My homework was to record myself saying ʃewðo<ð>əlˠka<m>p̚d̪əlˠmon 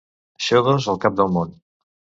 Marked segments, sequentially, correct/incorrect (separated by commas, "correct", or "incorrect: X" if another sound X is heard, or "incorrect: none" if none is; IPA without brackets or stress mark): incorrect: z, incorrect: none